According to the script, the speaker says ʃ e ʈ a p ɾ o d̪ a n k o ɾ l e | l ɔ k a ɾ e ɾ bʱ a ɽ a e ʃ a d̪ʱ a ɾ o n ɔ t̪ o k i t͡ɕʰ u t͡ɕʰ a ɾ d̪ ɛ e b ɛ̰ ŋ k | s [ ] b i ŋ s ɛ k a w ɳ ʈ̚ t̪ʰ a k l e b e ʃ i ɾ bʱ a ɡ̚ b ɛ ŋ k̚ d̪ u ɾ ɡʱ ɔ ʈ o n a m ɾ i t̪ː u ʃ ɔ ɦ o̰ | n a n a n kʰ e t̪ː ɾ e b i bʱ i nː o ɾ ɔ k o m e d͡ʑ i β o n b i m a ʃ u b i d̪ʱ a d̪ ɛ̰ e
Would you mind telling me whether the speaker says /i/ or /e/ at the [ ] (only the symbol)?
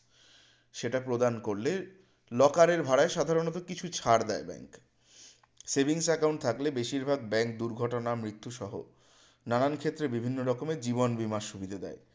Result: e